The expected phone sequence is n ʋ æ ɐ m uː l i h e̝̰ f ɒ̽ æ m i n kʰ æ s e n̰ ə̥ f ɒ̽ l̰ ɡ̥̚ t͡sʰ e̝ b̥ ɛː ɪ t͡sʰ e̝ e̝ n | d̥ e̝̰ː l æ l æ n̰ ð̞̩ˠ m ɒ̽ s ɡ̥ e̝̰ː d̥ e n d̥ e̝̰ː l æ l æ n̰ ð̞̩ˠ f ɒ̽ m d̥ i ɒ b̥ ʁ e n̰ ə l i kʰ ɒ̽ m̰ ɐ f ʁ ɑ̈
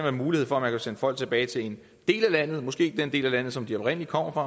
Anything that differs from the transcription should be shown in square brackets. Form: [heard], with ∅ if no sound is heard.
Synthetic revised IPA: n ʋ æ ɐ m uː l i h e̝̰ f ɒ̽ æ m [æ] n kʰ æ s e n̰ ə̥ f ɒ̽ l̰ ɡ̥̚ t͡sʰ e̝ b̥ ɛː ɪ t͡sʰ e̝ e̝ n | d̥ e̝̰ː l æ l æ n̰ ð̞̩ˠ m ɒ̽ s ɡ̥ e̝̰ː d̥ e n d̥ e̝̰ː l æ l æ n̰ ð̞̩ˠ [s] ɒ̽ m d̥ i ɒ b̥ ʁ e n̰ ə l i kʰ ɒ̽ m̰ ɐ f ʁ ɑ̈